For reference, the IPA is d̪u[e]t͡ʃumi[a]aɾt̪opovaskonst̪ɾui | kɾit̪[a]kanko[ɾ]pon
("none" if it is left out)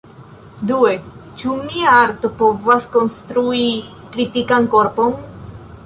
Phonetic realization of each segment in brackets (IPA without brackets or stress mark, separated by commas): e, a, i, ɾ